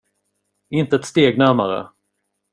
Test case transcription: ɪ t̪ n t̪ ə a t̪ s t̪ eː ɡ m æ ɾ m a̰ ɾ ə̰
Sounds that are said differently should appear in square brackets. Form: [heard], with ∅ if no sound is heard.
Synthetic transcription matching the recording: ɪ [∅] n t̪ ə [ɛ] t̪ s t̪ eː ɡ [n] æ ɾ m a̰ ɾ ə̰